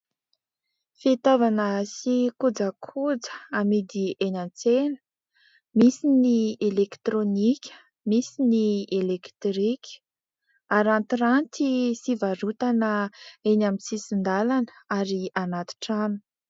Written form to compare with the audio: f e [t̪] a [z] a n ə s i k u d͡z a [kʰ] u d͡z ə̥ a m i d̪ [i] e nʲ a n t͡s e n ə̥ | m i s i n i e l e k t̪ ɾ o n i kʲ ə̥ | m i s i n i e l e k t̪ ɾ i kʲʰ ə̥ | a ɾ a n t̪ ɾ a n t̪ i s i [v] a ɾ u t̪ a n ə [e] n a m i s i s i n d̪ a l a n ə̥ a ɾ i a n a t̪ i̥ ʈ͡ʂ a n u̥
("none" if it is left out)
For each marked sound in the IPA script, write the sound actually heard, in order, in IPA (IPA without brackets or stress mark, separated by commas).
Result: t̪, v, kʰ, i, v, e